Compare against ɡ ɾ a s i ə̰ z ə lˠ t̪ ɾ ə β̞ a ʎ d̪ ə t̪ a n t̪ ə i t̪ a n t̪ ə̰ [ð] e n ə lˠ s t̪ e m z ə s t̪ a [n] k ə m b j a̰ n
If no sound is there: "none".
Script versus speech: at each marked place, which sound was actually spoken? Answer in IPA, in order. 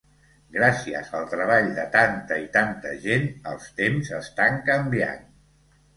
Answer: ʒ, ŋ

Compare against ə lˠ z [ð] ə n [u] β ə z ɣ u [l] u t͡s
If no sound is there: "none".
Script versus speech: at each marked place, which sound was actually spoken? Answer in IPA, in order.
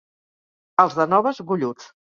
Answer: ð, ɔ, ʎ

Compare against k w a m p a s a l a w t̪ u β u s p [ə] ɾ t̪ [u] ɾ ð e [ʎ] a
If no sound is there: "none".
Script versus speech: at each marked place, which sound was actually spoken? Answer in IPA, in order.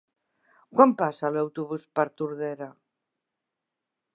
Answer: a, u, ɾ

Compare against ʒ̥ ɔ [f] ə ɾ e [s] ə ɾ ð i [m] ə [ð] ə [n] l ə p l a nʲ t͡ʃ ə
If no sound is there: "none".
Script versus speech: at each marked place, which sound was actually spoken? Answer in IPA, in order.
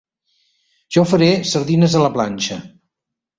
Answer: f, s, n, z, none

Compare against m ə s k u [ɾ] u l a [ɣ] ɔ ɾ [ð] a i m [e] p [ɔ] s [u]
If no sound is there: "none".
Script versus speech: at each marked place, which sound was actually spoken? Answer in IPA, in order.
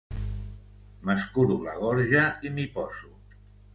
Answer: ɾ, ɣ, ʒ, i, ɔ, u

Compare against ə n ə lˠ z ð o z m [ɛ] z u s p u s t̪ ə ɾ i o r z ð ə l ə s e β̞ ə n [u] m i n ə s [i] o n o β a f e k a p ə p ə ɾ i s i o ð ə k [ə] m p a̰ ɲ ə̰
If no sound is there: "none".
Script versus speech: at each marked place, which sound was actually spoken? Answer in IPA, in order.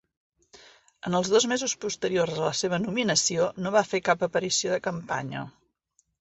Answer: e, u, i, ə

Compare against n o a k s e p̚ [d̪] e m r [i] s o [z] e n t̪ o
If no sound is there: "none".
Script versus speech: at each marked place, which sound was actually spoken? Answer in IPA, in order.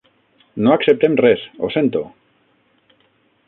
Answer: t̪, e, s

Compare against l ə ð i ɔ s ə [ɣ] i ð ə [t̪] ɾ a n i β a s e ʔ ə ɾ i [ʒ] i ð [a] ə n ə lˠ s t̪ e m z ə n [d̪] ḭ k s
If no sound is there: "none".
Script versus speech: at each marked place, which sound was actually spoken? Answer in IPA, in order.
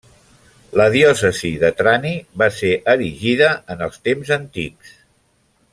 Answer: z, t̪, ʒ, ə, t̪

